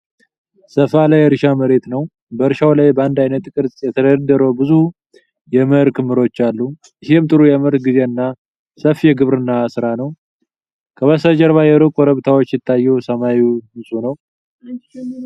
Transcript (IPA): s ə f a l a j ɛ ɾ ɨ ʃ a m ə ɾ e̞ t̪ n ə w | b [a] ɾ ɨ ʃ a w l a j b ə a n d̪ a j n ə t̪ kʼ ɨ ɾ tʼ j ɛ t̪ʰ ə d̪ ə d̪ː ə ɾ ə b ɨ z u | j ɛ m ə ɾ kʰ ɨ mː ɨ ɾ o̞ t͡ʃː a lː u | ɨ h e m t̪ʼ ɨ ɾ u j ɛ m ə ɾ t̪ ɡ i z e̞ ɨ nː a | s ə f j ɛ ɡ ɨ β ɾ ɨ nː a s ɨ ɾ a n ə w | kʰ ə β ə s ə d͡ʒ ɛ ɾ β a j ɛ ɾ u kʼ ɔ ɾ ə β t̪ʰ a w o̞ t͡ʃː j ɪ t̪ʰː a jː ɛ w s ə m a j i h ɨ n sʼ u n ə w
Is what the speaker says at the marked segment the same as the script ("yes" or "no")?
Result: no